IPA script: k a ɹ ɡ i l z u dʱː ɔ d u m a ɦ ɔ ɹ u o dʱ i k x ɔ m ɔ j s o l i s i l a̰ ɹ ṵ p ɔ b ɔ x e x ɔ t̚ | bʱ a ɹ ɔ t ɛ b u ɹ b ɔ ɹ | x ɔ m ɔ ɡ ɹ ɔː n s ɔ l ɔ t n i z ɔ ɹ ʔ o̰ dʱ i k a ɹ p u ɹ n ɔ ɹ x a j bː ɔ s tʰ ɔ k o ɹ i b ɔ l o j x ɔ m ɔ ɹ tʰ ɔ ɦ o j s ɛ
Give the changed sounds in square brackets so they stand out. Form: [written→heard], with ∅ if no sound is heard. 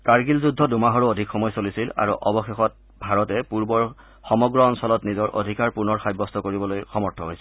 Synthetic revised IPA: k a ɹ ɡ i l z u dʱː ɔ d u m a ɦ ɔ ɹ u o dʱ i k x ɔ m ɔ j s o l i s i l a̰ ɹ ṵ [p→ʔ] ɔ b ɔ x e x ɔ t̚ | bʱ a ɹ ɔ t ɛ [b→p] u ɹ b ɔ ɹ | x ɔ m ɔ ɡ ɹ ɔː n s ɔ l ɔ t n i z ɔ ɹ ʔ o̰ dʱ i k a ɹ p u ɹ n ɔ ɹ x a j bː ɔ s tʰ ɔ k o ɹ i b ɔ l o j x ɔ m ɔ ɹ tʰ ɔ ɦ o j s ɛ